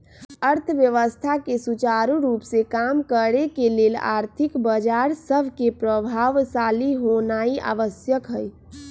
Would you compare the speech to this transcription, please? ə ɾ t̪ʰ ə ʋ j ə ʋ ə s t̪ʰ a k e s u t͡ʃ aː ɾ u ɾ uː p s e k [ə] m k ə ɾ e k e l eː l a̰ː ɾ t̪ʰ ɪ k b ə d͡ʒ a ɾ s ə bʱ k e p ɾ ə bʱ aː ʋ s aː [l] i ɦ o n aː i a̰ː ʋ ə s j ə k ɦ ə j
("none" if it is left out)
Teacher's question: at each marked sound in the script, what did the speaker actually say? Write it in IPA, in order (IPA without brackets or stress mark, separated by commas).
a, l